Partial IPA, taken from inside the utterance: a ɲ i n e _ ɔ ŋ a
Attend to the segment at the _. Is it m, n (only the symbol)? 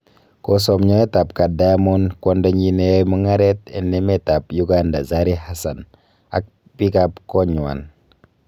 m